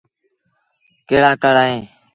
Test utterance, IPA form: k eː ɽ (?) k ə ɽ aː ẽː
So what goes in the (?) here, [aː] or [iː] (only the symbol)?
aː